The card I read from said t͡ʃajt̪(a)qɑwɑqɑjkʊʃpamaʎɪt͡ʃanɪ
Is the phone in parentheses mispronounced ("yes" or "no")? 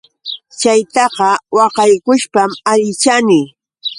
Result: yes